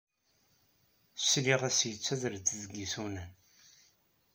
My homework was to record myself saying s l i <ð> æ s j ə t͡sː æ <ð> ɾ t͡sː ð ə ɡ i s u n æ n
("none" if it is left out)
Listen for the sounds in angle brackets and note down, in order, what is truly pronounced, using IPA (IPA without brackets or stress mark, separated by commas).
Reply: ʁ, ð